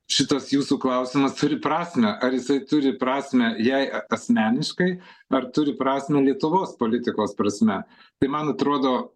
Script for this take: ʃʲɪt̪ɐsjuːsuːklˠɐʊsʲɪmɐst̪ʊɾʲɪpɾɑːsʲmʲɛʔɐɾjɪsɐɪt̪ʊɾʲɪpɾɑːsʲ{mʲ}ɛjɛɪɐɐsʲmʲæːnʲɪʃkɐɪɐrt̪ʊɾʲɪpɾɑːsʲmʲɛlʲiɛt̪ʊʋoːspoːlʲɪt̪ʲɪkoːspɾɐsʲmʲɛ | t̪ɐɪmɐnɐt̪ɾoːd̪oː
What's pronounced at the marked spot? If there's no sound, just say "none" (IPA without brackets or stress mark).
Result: mʲ